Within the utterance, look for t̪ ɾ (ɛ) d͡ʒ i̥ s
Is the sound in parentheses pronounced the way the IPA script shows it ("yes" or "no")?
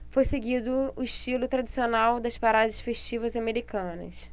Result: no